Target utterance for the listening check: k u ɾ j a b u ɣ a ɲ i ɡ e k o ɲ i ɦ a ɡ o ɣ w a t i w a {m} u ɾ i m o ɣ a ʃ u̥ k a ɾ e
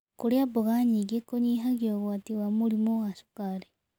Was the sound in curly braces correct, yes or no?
yes